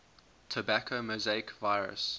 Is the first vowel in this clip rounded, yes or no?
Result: no